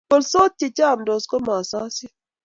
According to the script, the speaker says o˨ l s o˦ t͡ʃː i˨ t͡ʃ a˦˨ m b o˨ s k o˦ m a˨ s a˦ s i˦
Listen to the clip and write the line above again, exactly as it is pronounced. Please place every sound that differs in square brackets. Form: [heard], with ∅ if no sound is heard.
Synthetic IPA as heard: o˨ l s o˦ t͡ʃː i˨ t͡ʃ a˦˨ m [d] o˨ s k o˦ m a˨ s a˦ s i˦